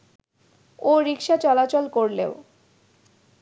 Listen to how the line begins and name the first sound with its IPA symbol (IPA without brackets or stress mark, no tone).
o